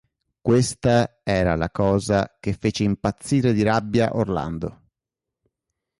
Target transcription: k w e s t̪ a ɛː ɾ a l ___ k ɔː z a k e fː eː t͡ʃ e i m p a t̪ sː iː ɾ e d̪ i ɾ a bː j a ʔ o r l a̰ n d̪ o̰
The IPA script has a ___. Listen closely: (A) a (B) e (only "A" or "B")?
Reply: A